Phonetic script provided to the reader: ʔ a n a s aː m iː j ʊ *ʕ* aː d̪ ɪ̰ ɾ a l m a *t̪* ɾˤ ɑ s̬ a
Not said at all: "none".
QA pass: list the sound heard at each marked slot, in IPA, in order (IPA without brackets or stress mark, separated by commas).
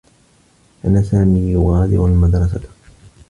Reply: ɣ, d̪